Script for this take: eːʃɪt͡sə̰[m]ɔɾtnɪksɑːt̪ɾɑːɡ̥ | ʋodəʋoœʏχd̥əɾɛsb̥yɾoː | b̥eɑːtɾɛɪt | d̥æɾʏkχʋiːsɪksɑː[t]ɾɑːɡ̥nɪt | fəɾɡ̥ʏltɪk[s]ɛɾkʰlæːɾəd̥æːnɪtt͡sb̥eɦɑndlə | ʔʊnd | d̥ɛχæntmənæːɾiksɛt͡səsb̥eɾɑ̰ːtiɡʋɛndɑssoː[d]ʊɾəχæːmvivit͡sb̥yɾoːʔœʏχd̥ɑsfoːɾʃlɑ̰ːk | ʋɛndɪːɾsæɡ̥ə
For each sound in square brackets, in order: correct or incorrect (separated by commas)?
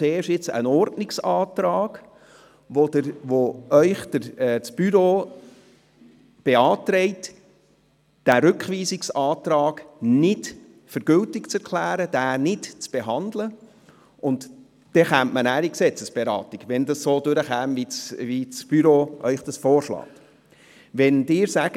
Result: incorrect, correct, incorrect, correct